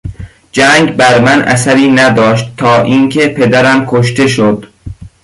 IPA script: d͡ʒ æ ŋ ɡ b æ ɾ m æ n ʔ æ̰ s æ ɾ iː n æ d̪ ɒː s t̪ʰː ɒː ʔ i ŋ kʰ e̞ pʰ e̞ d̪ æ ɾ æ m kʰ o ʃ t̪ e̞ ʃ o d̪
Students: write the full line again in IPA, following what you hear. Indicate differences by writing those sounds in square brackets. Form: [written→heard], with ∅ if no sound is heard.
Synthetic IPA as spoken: d͡ʒ æ ŋ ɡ b æ ɾ m æ n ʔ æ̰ s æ ɾ iː n æ d̪ ɒː [s→ʃ] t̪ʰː ɒː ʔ i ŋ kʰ e̞ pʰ e̞ d̪ æ ɾ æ m kʰ o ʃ t̪ e̞ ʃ o d̪

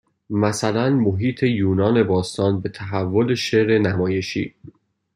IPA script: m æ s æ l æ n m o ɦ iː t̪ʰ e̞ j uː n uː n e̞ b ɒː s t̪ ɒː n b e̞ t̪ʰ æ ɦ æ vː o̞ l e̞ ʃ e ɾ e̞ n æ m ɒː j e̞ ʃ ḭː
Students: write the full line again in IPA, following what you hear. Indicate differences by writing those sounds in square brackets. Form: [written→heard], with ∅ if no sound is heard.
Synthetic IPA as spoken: m æ s æ l æ n m o ɦ iː t̪ʰ e̞ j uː n [uː→ɒː] n e̞ b ɒː s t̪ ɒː n b e̞ t̪ʰ æ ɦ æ vː o̞ l e̞ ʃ e ɾ e̞ n æ m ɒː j e̞ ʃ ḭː

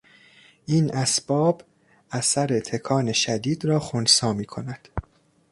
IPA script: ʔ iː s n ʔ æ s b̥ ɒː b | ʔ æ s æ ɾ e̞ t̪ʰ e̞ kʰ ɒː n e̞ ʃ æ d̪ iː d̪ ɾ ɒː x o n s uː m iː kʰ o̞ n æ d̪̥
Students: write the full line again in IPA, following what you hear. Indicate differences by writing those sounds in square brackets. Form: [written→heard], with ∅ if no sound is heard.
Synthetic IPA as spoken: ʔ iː [s→∅] n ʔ æ s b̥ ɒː b | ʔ æ s æ ɾ e̞ t̪ʰ e̞ kʰ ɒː n e̞ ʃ æ d̪ iː d̪ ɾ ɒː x o n s [uː→ɒː] m iː kʰ o̞ n æ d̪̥

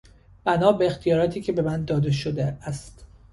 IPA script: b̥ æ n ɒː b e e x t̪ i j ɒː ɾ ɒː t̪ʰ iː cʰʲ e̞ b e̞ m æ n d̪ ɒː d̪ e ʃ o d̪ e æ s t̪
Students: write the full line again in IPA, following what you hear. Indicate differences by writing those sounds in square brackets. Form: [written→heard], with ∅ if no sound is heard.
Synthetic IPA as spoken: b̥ æ n ɒː b e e x t̪ i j ɒː ɾ ɒː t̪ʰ iː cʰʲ e̞ b e̞ m æ n d̪ ɒː d̪ e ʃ o d̪ e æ s t̪

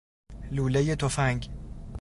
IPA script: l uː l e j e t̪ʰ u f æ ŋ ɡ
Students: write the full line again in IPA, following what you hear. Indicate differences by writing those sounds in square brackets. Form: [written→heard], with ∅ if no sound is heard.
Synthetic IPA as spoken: l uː l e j e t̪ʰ [u→o] f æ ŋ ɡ

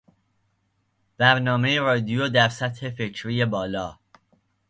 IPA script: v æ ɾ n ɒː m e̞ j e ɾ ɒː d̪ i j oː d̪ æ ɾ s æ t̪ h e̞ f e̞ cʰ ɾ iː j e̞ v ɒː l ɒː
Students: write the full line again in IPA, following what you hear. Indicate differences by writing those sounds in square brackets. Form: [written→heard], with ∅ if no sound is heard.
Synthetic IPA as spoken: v æ ɾ n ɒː m e̞ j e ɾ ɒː d̪ i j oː d̪ æ ɾ s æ t̪ h e̞ f e̞ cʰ ɾ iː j e̞ [v→b] ɒː l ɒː

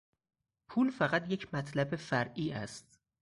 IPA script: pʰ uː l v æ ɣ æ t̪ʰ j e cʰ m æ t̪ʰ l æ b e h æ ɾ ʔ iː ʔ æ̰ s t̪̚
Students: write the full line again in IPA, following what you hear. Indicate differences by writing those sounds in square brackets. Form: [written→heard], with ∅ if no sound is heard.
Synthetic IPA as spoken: pʰ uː l [v→f] æ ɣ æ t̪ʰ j e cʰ m æ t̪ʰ l æ b e [h→f] æ ɾ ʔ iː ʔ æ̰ s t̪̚

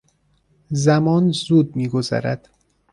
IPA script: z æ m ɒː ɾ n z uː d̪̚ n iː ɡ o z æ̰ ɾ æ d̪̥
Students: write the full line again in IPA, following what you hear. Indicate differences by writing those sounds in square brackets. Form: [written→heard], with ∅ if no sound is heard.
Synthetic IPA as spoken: z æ m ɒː [ɾ→∅] n z uː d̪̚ [n→m] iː ɡ o z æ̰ ɾ æ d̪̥

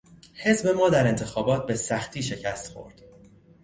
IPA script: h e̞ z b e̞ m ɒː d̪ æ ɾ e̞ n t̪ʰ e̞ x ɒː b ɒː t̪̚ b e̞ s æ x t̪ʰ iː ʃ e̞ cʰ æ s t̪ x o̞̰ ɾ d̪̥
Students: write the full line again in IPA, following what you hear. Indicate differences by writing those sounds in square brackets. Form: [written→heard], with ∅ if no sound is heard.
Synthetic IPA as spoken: h e̞ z b e̞ m ɒː d̪ æ ɾ e̞ n t̪ʰ e̞ x ɒː b ɒː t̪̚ b e̞ s æ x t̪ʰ iː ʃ e̞ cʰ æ s t̪ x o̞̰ ɾ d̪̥

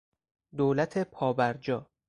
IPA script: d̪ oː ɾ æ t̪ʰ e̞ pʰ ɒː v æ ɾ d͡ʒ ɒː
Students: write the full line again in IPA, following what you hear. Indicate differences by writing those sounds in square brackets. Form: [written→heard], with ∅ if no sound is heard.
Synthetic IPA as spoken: d̪ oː [ɾ→l] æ t̪ʰ e̞ pʰ ɒː [v→b] æ ɾ d͡ʒ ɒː

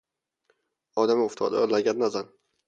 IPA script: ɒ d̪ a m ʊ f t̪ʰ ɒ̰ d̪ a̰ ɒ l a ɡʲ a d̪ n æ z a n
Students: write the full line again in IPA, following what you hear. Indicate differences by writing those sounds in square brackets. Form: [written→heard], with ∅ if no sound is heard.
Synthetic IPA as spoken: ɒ d̪ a m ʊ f t̪ʰ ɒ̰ d̪ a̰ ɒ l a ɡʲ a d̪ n [æ→a] z a n

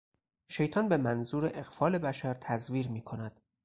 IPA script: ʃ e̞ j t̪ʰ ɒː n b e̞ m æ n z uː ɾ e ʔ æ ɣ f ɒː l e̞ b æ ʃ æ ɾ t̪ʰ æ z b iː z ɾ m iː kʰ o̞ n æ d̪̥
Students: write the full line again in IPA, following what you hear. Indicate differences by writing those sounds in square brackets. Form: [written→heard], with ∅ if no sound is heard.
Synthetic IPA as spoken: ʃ e̞ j t̪ʰ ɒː n b e̞ m æ n z uː ɾ e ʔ [æ→e] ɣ f ɒː l e̞ b æ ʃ æ ɾ t̪ʰ æ z [b→v] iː [z→∅] ɾ m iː kʰ o̞ n æ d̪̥

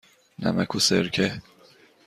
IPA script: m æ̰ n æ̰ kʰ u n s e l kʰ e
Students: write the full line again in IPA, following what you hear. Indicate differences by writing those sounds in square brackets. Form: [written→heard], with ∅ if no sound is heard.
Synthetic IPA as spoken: [m→n] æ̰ [n→m] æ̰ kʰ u [n→∅] s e [l→ɾ] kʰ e

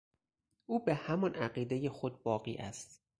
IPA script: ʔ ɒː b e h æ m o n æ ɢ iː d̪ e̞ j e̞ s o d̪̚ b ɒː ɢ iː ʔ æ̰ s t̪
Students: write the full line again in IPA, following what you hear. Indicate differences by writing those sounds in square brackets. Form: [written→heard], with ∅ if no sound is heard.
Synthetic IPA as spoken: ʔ [ɒː→uː] b e h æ m [o→ɒ] n æ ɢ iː d̪ e̞ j e̞ [s→x] o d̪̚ b ɒː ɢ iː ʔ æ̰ s t̪

